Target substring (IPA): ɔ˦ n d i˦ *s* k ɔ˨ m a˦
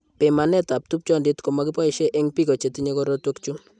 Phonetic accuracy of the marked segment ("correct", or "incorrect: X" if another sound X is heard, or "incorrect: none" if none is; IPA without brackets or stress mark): incorrect: t